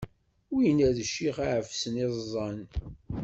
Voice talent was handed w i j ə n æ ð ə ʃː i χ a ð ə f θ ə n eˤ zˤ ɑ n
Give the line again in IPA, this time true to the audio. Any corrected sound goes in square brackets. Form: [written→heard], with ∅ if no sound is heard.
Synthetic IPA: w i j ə n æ ð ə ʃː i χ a [ð→ʕ] ə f [θ→s] ə n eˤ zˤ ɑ n